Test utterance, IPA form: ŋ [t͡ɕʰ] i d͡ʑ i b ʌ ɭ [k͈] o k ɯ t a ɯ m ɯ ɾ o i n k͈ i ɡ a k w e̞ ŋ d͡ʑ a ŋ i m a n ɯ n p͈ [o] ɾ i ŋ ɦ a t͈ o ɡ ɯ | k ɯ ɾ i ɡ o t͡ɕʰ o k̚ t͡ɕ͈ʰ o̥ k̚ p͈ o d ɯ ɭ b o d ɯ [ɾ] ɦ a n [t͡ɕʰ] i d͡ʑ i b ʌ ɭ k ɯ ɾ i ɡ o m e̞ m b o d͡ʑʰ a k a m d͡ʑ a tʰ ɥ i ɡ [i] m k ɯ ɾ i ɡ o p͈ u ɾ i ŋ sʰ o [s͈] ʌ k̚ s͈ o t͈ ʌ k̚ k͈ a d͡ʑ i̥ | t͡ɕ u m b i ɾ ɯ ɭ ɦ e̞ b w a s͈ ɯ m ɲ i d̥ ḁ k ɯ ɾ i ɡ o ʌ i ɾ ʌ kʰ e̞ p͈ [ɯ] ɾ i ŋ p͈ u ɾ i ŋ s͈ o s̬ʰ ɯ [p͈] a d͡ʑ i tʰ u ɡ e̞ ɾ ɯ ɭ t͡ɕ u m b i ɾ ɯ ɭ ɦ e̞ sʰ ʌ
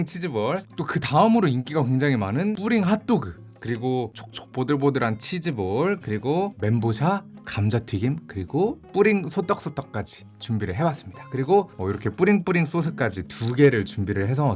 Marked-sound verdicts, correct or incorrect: correct, incorrect: t͈, incorrect: u, correct, correct, correct, incorrect: t͈, incorrect: u, incorrect: k͈

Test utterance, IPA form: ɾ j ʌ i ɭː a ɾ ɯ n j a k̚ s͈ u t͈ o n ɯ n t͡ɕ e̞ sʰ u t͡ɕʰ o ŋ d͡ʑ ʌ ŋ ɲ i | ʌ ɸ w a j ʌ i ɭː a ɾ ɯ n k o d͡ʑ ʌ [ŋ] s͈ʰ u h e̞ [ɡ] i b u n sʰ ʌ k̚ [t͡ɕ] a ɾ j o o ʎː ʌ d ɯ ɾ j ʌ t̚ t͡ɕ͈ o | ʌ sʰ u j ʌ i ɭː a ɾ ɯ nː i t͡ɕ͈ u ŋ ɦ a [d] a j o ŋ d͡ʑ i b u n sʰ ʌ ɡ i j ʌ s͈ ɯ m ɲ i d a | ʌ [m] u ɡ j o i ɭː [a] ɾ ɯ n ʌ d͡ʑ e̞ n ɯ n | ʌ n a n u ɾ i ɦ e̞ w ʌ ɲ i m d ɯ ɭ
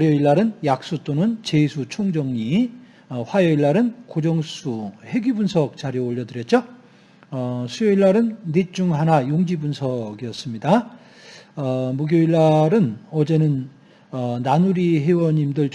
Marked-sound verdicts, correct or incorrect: correct, correct, correct, incorrect: n, correct, correct

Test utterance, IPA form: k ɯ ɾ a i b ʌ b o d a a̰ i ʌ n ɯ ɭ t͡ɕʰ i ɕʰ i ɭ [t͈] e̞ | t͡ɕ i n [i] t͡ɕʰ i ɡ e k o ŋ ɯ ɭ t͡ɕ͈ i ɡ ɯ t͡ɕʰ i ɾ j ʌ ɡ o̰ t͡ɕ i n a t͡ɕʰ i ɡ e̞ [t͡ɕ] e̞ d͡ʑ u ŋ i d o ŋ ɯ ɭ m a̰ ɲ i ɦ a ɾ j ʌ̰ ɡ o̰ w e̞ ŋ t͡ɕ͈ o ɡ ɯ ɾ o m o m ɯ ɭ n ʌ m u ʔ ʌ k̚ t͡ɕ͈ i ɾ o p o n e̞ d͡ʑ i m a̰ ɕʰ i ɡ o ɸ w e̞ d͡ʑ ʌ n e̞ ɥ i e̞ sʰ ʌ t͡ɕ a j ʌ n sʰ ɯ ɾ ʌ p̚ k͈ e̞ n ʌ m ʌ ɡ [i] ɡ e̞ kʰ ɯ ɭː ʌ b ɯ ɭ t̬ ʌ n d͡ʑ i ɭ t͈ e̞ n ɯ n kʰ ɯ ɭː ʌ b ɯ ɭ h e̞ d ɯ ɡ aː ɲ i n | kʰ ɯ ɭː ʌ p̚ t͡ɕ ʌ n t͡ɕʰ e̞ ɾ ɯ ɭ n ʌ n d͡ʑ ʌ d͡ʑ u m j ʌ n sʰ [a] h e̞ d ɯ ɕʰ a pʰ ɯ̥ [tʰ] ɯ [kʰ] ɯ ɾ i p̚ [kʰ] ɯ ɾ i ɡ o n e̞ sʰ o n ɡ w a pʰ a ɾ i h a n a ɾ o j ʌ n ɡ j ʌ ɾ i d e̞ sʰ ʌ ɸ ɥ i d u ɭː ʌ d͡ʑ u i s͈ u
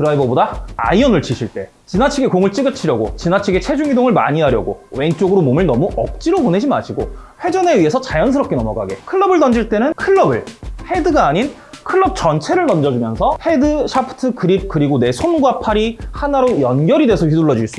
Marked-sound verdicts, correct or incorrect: correct, incorrect: a, incorrect: t͡ɕʰ, incorrect: a, incorrect: ʌ, correct, incorrect: k, incorrect: k

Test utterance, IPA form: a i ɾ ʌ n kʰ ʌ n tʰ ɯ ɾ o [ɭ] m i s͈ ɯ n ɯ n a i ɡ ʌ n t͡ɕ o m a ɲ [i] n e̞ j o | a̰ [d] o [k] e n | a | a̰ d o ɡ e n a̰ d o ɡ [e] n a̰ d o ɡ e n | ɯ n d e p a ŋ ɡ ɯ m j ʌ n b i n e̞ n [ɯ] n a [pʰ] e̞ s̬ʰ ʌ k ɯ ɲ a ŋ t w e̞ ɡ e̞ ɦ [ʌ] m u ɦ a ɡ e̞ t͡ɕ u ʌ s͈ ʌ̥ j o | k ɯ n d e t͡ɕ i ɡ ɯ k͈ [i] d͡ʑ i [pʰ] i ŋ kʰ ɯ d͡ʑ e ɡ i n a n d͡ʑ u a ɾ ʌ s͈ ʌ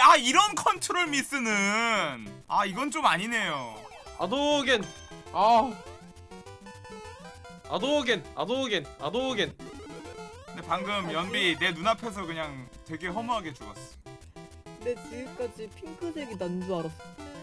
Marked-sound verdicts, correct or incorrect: correct, correct, correct, incorrect: ɡ, correct, incorrect: u, correct, correct, incorrect: a, correct

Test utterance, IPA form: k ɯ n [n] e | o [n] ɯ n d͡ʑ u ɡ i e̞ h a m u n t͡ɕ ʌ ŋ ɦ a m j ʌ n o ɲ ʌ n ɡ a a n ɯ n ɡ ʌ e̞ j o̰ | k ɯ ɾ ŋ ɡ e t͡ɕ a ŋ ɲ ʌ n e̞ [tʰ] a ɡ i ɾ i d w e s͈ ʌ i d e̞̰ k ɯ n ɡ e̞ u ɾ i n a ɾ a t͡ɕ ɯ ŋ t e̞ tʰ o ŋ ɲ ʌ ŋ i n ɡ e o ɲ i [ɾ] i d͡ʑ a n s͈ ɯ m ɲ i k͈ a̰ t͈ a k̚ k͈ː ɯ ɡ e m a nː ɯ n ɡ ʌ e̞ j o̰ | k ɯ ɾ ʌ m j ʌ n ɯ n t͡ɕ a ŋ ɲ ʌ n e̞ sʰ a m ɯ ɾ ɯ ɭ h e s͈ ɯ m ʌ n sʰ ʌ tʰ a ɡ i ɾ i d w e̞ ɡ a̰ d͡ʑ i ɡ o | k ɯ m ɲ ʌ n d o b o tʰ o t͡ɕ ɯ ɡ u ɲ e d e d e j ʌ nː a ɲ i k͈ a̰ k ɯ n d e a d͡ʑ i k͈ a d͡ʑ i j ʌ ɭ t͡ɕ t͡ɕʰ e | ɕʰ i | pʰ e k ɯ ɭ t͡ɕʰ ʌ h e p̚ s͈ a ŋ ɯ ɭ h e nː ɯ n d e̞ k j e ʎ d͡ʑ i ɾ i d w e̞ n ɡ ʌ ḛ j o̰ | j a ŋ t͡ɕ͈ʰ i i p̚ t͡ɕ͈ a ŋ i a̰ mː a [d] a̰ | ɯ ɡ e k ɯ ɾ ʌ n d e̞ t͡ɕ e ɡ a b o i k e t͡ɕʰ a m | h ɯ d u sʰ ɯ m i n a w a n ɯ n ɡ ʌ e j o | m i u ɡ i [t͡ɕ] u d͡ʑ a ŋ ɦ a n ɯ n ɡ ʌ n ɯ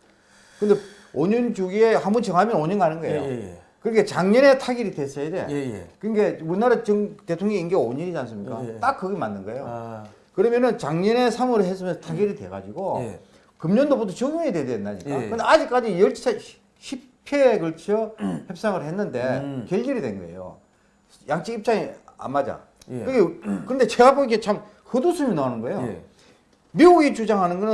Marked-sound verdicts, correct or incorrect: incorrect: d, incorrect: ɲ, correct, correct, incorrect: d͡ʑ, correct

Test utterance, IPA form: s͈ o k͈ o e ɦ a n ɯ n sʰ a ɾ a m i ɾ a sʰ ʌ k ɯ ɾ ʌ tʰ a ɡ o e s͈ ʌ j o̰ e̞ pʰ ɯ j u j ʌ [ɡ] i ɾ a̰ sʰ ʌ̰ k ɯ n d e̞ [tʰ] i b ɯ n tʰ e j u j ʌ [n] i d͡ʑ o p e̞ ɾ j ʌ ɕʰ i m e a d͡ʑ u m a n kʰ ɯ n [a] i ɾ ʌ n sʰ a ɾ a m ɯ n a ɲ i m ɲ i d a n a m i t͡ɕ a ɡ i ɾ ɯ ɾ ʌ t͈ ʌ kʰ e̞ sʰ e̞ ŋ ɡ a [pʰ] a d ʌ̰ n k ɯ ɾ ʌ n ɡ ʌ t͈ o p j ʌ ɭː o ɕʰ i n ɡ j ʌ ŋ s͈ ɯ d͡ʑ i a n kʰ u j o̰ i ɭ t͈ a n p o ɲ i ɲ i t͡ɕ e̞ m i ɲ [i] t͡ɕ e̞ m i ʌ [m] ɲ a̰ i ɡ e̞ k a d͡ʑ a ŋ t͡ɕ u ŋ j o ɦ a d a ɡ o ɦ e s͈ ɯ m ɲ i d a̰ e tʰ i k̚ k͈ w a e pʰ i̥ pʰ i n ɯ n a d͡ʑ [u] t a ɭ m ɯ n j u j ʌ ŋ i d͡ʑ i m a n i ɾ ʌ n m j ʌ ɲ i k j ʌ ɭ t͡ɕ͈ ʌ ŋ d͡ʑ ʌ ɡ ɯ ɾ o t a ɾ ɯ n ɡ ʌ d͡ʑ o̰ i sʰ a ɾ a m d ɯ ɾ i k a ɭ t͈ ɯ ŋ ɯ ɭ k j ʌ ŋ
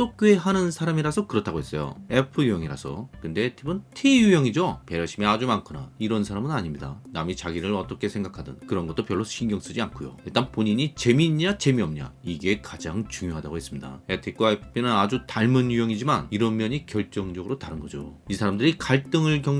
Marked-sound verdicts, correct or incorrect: incorrect: ŋ, correct, incorrect: ŋ, correct, incorrect: kʰ, incorrect: a, correct, correct

